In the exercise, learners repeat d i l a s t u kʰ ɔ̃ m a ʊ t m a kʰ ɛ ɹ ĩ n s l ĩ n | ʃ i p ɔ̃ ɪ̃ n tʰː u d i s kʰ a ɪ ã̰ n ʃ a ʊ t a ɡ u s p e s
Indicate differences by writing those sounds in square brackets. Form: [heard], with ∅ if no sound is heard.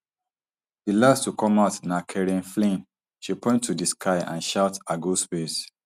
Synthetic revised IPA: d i l a s t u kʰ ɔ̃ m a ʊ t [n] a kʰ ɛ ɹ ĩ n [f] l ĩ n | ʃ i p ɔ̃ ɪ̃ n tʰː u d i s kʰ a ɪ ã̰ n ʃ a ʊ t a ɡ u s p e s